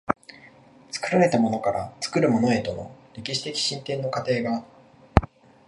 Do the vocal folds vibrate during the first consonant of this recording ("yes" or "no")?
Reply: no